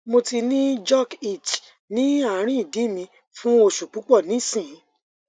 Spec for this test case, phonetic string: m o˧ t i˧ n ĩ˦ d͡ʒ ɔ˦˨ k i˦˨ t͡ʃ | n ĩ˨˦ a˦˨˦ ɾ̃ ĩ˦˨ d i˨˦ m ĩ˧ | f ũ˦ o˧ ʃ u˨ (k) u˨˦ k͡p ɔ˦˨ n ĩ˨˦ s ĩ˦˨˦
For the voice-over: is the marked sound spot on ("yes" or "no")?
no